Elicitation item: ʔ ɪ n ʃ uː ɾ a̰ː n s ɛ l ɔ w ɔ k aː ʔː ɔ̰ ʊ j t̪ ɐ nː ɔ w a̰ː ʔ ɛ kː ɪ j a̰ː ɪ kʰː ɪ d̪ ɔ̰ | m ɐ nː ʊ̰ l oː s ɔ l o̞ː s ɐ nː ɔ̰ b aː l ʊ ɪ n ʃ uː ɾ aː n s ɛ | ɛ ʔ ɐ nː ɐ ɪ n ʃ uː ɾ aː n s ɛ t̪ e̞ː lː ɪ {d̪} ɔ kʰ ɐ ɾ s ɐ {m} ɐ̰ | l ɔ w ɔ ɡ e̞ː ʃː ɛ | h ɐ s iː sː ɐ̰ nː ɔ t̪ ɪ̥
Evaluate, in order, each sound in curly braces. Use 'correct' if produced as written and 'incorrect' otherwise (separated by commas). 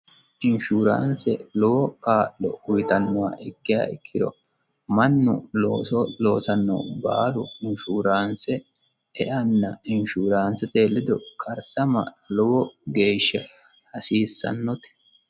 correct, correct